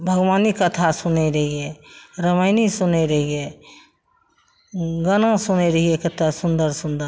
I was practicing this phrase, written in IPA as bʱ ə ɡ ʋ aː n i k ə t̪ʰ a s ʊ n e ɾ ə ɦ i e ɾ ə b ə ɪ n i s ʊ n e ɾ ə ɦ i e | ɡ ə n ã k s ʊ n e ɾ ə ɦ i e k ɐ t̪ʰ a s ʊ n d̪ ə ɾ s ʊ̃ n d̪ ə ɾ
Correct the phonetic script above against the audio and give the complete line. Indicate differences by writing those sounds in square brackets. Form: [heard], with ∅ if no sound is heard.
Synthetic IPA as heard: bʱ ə ɡ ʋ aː n i k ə t̪ʰ a s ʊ n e ɾ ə ɦ i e ɾ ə [m] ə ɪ n i s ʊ n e ɾ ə ɦ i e | ɡ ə n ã [∅] s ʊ n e ɾ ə ɦ i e k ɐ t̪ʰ a s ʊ n d̪ ə ɾ s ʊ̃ n d̪ ə ɾ